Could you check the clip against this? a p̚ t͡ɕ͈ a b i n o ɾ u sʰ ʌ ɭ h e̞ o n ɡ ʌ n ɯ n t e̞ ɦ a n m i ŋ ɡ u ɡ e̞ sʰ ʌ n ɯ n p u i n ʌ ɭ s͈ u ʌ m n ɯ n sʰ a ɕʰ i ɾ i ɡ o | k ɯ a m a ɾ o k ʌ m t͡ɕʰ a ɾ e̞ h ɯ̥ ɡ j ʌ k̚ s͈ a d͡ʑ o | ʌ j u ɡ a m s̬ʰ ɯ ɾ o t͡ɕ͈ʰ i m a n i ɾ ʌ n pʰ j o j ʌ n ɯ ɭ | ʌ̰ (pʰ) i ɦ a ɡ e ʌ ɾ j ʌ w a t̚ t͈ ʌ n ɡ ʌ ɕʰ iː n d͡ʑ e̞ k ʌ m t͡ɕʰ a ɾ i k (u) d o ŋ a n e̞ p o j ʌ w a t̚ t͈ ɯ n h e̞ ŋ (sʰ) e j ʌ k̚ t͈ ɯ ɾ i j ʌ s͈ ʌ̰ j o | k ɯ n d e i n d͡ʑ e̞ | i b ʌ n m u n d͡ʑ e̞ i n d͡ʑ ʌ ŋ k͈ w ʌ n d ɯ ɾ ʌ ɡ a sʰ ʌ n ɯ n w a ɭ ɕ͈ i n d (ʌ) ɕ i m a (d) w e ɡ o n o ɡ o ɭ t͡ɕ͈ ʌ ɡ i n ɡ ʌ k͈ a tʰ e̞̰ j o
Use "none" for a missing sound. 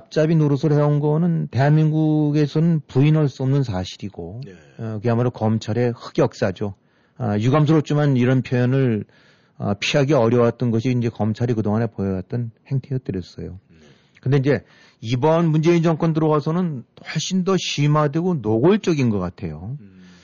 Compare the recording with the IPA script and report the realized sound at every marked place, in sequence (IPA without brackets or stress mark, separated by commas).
pʰ, ɯ, tʰ, ʌ, d